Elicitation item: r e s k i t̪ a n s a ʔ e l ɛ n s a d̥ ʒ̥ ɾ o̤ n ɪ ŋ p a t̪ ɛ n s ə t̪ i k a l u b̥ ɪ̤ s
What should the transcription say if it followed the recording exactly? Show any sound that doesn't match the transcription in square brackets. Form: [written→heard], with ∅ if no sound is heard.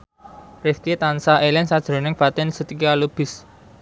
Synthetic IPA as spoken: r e s k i t̪ a n s a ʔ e l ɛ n s a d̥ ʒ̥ ɾ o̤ n ɪ ŋ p a t̪ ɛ n s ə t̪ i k a l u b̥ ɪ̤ s